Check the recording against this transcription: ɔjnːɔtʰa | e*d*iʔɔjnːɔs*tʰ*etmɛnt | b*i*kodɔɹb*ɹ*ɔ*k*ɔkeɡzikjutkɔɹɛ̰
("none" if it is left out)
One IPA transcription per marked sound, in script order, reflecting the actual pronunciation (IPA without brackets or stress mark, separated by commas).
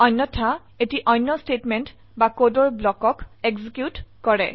t, t, a, l, k